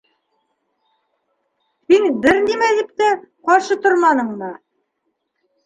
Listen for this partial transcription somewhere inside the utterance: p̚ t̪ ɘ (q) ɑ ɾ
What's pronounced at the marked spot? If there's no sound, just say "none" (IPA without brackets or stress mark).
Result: q